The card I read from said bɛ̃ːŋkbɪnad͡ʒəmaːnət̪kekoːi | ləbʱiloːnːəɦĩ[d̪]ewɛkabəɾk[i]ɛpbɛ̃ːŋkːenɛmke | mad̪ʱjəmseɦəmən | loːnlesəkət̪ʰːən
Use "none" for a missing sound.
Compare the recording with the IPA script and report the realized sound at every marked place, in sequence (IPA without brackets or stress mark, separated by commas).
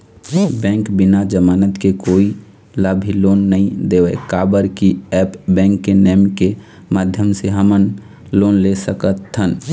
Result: d̪, i